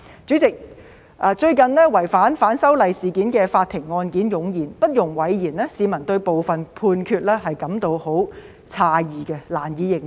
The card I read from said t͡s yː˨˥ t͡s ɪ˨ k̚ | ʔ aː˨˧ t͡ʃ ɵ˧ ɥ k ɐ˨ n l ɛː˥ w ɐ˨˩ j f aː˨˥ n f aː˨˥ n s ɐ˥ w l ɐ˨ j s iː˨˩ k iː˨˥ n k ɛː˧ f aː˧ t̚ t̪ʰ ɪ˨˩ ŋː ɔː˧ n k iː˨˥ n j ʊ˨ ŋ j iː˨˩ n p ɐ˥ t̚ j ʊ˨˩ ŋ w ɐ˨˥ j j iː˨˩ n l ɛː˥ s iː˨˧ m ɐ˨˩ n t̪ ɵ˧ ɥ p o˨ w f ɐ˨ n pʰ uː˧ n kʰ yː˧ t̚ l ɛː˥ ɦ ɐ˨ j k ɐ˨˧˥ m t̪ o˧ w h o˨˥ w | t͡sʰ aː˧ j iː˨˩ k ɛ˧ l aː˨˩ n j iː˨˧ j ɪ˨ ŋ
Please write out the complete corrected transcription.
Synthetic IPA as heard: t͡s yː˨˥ t͡s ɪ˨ k̚ | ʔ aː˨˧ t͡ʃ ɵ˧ ɥ k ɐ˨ n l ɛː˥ w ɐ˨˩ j f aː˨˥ n f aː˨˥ n s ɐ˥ w l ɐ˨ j s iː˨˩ k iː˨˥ n k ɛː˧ f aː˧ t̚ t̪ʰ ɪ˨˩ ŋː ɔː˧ n k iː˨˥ n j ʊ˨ ŋ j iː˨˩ n p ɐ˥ t̚ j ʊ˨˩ ŋ w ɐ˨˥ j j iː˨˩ n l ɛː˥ s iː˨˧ m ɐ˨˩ n t̪ ɵ˧ ɥ p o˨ w f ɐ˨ n pʰ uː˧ n kʰ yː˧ t̚ l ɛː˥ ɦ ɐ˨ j k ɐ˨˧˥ m t̪ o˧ w h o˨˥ w | t͡sʰ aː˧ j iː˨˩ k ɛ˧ l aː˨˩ n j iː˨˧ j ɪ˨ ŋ